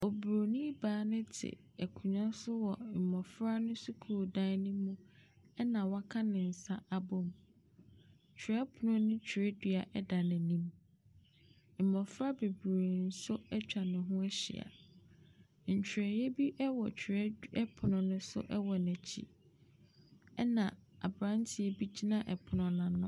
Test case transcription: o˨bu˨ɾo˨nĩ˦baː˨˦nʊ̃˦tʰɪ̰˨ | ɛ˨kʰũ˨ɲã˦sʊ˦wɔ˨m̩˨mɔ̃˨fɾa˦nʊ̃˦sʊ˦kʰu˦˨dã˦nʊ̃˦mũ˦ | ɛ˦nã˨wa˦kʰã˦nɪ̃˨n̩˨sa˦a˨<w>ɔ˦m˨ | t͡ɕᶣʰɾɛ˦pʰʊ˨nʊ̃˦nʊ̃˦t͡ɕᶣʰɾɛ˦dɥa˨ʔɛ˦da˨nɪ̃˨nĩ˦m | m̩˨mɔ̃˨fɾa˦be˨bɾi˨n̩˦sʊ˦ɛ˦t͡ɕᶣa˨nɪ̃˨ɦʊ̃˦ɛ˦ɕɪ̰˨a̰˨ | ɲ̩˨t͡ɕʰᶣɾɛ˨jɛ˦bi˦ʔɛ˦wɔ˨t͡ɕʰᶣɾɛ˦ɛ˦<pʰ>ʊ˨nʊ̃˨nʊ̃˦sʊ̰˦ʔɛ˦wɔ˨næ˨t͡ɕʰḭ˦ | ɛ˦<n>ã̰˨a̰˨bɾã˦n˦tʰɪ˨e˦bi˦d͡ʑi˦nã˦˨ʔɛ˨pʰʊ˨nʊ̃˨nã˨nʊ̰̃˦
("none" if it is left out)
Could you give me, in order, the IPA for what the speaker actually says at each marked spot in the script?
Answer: b, pʰ, n

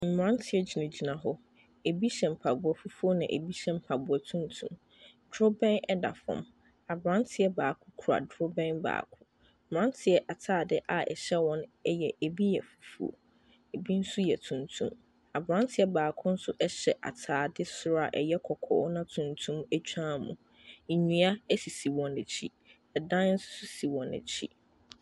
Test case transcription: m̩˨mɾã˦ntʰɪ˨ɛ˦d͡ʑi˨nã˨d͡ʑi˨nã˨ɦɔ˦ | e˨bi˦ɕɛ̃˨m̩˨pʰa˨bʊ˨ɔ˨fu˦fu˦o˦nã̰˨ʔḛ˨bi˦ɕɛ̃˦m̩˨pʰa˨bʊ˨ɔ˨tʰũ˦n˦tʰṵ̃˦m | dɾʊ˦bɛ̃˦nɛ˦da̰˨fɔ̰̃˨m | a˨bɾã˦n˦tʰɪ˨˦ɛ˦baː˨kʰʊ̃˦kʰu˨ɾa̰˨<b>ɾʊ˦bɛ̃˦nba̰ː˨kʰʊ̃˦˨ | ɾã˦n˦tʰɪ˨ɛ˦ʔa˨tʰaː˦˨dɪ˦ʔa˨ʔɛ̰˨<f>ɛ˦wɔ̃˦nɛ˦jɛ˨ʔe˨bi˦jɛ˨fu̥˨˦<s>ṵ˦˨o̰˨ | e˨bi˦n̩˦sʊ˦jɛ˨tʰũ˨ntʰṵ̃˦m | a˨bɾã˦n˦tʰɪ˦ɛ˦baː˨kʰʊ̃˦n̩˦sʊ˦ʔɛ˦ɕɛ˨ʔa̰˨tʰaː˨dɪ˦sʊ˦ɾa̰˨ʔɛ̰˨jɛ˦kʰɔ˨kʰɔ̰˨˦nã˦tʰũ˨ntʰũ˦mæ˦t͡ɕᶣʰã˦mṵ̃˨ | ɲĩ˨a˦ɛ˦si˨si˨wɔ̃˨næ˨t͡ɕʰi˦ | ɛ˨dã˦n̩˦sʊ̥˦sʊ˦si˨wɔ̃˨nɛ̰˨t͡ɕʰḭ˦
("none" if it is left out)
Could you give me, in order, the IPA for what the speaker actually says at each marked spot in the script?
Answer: d, ɕ, f

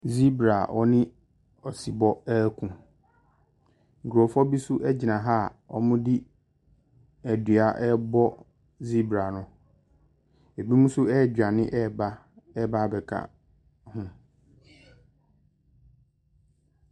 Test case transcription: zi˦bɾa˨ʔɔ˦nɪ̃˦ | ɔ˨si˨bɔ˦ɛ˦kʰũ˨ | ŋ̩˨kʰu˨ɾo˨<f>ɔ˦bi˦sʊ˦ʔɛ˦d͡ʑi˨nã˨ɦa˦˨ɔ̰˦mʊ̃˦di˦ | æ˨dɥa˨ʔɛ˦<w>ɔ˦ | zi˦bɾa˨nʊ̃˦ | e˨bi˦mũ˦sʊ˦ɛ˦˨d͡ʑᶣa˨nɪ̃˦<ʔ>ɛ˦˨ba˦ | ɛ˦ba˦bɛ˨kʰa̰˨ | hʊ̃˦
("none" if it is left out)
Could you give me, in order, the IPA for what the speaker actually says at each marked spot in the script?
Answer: f, b, ʔ

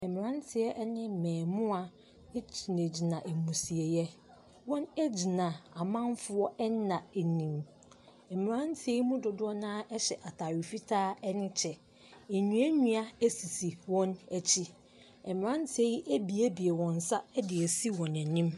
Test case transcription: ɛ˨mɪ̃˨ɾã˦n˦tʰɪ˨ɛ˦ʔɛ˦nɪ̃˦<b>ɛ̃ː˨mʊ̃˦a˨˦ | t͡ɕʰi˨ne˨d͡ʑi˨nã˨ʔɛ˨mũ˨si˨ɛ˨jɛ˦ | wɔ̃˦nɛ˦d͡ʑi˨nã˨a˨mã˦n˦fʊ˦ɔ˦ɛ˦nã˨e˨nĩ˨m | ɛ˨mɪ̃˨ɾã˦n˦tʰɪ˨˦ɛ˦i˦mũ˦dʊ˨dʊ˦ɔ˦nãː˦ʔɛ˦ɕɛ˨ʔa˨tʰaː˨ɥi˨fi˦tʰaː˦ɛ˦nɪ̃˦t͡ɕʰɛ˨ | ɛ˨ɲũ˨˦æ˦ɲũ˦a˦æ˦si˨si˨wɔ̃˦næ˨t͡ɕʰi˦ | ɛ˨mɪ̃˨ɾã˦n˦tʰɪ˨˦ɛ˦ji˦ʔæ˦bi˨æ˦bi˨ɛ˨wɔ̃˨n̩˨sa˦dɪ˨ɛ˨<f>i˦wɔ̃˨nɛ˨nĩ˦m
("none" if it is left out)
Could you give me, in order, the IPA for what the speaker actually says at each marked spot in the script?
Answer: m, s

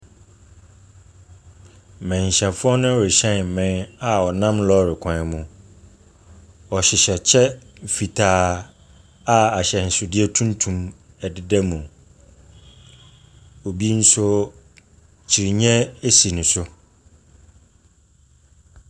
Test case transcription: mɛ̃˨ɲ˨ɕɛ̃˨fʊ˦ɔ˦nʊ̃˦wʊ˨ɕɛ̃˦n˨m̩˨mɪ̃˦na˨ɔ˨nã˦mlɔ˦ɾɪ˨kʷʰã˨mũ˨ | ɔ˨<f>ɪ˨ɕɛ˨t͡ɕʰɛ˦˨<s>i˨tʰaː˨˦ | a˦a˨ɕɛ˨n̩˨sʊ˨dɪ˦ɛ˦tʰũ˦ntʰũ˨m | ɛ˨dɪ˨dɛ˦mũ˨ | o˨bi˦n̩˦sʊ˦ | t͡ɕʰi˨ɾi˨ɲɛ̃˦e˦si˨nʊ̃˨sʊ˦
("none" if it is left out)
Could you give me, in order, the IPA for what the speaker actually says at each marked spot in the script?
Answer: ɕ, f

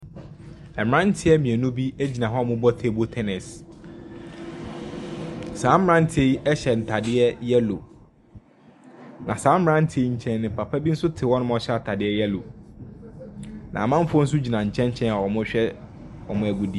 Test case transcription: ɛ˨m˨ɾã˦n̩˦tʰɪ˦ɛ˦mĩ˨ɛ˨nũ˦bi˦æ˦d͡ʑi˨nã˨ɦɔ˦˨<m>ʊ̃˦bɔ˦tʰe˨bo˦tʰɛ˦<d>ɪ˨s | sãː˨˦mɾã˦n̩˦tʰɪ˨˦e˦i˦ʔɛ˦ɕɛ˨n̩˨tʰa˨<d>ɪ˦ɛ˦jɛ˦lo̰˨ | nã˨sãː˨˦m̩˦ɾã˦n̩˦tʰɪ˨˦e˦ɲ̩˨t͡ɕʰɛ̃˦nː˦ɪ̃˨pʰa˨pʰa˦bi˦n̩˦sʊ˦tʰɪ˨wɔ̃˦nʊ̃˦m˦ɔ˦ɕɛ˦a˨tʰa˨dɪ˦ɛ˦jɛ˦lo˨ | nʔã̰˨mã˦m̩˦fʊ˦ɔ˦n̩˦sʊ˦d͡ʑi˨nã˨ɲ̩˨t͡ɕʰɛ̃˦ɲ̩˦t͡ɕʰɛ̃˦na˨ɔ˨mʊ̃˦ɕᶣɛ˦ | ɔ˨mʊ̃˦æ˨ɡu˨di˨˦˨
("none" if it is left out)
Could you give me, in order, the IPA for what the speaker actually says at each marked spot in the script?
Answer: m, n, d

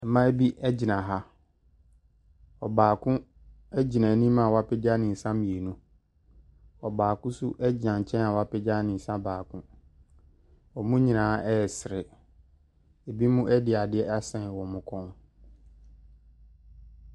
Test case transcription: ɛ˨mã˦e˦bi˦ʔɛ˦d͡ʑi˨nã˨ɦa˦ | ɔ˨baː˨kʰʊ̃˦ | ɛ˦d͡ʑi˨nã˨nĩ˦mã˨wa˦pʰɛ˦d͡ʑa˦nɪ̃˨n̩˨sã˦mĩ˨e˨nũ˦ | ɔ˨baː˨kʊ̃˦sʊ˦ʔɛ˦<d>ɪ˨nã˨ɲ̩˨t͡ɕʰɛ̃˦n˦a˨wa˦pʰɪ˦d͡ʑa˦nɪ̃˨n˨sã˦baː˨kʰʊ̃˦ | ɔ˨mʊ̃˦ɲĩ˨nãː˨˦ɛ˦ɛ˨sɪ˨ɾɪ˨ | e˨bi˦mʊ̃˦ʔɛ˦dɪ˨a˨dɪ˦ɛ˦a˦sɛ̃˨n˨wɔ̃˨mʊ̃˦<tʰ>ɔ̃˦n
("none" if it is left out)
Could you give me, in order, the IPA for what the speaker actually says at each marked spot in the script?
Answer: d͡ʑ, kʰ

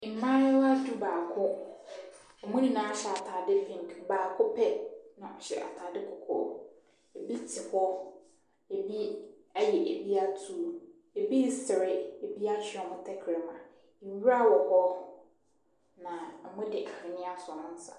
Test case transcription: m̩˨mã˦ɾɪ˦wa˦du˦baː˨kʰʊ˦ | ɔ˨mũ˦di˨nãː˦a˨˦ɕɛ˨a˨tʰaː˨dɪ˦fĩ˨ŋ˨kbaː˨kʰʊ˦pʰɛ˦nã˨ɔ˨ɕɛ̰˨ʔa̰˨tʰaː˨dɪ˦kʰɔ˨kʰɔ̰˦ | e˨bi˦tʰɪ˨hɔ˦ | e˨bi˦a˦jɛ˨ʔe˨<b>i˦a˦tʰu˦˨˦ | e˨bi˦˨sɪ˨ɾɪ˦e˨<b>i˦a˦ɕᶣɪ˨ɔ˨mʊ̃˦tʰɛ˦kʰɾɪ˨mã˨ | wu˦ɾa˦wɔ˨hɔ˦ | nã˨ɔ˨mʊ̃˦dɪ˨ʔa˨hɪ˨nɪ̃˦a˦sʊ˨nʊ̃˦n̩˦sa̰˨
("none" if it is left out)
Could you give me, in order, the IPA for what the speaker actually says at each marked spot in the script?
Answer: b, b

